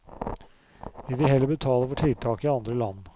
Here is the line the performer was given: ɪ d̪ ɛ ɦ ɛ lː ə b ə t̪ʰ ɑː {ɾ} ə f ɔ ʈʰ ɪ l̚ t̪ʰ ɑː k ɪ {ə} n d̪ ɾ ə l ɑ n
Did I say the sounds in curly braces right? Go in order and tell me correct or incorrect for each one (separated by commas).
incorrect, incorrect